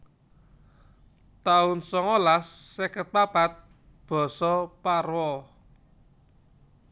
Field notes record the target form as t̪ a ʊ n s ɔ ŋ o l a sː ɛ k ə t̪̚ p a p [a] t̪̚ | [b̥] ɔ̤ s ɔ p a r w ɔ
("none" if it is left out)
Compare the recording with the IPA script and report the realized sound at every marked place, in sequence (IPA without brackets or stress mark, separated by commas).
a, b̥